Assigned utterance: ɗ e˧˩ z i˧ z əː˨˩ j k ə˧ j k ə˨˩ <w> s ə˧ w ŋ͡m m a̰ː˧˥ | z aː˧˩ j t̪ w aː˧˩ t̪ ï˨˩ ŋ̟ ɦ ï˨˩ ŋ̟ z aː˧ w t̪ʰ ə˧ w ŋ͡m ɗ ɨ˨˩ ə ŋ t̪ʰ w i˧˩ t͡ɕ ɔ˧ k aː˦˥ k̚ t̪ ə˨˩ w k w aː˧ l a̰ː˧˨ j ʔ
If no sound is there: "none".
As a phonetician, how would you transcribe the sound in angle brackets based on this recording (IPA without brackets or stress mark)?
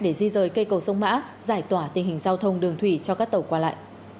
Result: w